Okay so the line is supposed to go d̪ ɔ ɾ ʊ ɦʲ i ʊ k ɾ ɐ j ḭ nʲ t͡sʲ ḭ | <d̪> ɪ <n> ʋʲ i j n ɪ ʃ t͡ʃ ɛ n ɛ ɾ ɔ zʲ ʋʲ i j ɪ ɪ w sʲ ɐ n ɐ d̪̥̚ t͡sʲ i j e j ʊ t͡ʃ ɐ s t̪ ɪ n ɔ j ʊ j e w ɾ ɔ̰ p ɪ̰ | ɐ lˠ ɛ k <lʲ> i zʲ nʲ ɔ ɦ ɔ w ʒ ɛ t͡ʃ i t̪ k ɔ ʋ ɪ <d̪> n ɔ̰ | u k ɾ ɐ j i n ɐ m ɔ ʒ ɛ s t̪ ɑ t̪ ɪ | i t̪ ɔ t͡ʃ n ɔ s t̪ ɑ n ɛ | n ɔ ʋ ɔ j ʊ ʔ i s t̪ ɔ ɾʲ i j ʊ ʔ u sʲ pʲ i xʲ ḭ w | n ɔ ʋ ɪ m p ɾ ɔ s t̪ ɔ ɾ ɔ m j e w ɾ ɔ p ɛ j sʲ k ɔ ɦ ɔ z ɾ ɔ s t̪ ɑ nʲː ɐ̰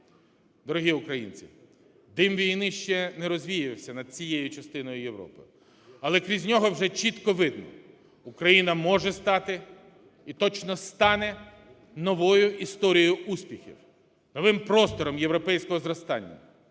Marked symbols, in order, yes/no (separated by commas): yes, no, no, yes